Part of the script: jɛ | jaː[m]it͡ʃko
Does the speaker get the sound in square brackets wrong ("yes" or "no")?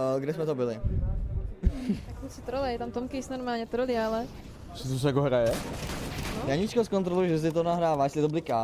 yes